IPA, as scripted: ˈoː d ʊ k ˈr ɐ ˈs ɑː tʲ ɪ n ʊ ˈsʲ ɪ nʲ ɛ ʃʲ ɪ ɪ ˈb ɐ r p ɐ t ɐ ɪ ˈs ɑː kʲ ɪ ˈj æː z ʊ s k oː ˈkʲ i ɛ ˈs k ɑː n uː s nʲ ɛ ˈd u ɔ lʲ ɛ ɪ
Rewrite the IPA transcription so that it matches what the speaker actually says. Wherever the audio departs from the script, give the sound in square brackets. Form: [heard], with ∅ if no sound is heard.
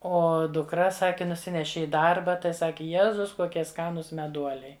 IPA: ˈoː d ʊ k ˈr ɐ ˈs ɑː [kʲ] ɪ n ʊ ˈsʲ ɪ nʲ ɛ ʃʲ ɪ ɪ [ˈd] ɐ r [b] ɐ t ɐ ɪ ˈs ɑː kʲ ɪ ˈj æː z ʊ s k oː ˈkʲ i ɛ ˈs k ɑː n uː s [mʲ] ɛ ˈd u ɔ lʲ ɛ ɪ